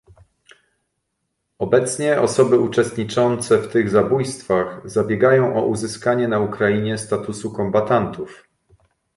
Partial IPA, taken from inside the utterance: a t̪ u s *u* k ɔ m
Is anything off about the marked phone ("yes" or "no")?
no